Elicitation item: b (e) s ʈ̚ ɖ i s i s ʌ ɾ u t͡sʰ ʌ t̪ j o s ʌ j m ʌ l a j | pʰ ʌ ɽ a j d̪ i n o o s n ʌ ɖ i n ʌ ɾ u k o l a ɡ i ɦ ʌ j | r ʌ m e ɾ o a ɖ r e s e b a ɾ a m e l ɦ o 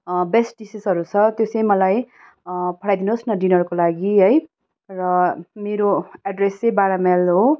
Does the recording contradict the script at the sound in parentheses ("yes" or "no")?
no